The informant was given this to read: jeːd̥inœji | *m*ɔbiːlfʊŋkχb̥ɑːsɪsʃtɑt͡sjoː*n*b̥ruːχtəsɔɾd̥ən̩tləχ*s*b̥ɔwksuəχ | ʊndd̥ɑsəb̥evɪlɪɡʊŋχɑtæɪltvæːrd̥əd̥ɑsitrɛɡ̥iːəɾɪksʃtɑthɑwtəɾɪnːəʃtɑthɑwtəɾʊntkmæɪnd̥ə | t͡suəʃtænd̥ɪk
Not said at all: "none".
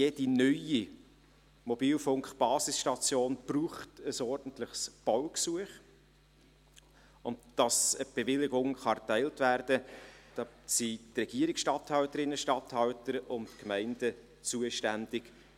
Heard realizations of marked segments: m, n, s

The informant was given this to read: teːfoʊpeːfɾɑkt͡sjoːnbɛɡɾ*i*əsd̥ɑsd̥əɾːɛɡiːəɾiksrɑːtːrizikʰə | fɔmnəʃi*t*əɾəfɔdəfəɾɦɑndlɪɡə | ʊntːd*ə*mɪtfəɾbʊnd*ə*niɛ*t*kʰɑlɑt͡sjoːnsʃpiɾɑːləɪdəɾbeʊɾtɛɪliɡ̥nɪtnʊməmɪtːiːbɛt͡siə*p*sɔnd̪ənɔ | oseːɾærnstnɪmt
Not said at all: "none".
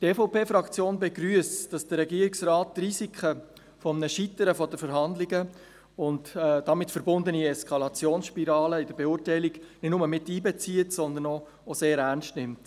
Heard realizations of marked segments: y, t, ɑ, ə, s, t

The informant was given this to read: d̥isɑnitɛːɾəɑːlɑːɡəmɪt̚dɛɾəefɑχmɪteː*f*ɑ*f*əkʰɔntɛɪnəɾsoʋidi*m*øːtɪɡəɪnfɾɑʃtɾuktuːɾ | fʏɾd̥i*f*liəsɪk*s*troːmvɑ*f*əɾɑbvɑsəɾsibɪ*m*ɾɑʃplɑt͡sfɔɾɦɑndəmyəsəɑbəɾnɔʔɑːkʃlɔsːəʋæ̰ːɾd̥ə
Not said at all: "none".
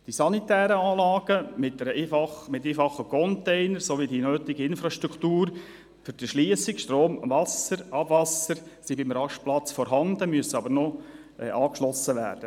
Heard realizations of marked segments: f, χ, n, ʃ, ʃ, s, m

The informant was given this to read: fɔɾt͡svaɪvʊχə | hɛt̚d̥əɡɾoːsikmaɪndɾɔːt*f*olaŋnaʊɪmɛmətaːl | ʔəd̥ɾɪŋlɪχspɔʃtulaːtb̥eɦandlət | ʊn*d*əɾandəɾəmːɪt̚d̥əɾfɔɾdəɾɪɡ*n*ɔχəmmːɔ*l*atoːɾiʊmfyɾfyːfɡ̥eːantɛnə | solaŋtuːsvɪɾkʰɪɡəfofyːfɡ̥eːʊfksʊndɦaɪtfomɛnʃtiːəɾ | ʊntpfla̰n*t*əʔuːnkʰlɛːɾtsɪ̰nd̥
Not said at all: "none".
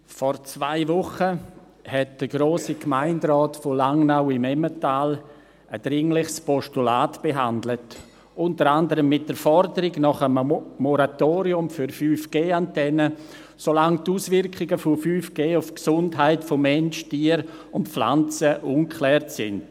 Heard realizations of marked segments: f, t, n, ɾ, t͡s

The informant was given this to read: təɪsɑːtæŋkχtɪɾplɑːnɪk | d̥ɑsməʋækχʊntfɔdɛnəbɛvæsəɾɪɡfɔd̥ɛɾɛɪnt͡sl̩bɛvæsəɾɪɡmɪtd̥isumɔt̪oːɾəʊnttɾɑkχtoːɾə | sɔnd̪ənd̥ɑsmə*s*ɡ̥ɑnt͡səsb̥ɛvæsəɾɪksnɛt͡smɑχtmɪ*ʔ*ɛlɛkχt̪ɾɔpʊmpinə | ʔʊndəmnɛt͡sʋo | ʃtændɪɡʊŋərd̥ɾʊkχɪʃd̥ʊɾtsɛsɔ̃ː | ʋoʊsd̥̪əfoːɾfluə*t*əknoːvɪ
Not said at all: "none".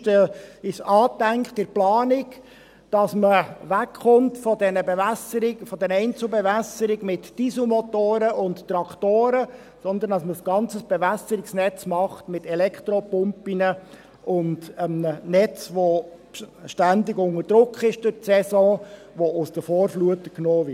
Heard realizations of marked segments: s, t, t

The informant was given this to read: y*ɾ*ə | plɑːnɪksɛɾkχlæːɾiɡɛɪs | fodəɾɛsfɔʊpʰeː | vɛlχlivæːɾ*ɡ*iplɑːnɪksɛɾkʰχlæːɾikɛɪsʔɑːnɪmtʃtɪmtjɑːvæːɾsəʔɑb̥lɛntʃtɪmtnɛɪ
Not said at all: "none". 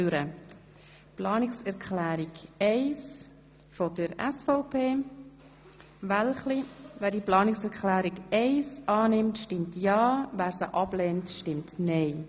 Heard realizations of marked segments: ɾ, d

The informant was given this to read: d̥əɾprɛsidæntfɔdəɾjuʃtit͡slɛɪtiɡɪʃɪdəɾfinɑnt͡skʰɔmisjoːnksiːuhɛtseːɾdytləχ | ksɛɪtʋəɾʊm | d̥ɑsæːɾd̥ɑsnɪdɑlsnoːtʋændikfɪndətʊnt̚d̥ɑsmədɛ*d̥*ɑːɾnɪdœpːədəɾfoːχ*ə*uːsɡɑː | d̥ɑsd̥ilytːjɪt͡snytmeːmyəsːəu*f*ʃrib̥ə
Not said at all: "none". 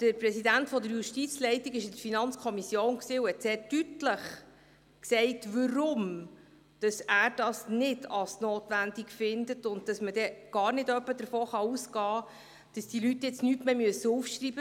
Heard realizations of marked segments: ɡ̥, ɑ, f

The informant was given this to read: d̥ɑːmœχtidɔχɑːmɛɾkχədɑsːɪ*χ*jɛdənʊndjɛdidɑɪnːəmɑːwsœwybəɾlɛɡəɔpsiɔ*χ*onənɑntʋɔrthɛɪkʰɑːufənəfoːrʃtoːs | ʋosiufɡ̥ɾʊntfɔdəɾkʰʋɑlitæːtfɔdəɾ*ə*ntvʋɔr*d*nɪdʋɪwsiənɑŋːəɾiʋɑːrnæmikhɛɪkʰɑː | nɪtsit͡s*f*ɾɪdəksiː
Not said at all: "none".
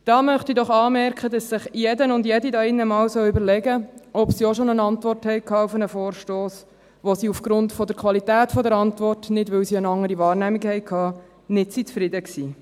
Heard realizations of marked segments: χ, ʃ, ɑ, t, f

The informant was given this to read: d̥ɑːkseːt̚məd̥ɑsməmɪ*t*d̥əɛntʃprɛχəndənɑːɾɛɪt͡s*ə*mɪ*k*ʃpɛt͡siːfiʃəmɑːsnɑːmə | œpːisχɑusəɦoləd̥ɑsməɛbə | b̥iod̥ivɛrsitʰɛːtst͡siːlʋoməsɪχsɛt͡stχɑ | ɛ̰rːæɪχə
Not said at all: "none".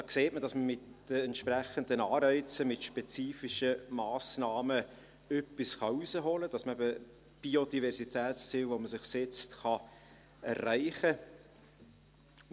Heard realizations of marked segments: t, ə, t

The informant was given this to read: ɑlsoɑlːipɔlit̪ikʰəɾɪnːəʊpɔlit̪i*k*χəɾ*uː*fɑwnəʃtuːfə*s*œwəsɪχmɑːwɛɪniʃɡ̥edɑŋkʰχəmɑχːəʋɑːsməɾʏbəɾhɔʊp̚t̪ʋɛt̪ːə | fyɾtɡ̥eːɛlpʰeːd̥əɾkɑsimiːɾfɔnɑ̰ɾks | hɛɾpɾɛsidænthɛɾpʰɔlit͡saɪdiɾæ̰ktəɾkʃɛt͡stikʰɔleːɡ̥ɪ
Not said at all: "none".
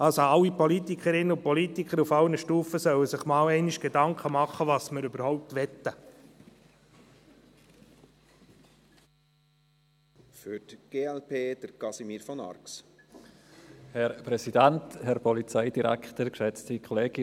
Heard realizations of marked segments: k, u, s

